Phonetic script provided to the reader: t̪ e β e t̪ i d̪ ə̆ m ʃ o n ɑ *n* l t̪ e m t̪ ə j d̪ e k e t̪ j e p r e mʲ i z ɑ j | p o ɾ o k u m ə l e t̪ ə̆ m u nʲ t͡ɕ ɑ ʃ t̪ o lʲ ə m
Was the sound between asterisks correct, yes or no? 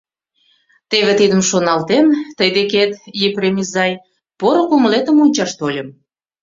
no